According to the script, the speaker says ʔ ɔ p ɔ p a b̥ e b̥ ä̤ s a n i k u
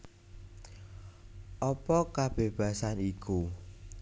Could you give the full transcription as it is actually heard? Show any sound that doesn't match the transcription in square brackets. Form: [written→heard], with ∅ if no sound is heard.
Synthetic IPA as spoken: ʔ ɔ p ɔ [p→k] a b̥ e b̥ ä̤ s a n i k u